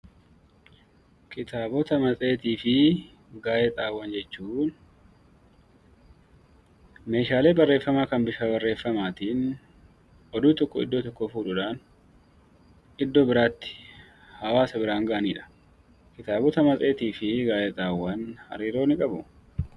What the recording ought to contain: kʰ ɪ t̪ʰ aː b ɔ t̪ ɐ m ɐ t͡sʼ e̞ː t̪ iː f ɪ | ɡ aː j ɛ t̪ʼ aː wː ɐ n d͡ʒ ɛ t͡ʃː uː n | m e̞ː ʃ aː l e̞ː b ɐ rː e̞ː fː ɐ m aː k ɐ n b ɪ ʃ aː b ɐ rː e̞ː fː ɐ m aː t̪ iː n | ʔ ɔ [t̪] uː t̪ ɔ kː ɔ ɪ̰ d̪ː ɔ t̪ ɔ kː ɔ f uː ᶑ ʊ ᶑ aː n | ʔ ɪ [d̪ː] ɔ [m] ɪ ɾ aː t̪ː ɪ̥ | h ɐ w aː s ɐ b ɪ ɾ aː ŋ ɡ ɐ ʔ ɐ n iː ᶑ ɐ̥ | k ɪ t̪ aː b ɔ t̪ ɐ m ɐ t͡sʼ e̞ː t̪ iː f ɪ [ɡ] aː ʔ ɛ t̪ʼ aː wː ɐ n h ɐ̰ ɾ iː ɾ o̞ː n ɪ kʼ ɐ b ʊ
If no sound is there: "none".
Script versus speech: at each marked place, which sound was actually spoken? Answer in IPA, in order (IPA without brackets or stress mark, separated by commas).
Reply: d̪, d̪ː, b, ɡ